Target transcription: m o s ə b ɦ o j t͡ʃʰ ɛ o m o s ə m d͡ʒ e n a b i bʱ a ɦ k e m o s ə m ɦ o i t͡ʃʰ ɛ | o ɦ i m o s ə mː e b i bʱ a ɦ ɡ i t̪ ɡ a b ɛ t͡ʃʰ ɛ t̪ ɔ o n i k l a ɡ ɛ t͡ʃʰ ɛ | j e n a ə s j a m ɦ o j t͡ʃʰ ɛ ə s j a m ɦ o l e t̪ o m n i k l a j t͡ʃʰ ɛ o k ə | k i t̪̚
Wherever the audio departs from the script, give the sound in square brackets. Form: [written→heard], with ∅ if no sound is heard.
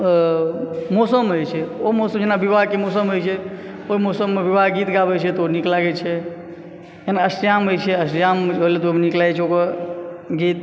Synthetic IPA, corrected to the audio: m o s ə [b→m] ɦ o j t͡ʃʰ ɛ o m o s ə m d͡ʒ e n a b i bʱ a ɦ k e m o s ə m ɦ o [i→j] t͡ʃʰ ɛ | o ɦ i m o s ə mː e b i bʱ a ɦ ɡ i t̪ ɡ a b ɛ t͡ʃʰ ɛ t̪ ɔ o n i k l a ɡ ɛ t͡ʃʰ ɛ | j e n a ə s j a m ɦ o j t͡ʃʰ ɛ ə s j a m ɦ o l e t̪ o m n i k l a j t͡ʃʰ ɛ o k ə | [k→ɡ] i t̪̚